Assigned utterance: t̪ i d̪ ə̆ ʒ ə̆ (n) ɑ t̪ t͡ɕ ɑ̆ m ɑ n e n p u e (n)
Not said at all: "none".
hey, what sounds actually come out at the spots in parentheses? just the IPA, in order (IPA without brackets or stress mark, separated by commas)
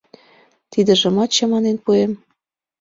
m, m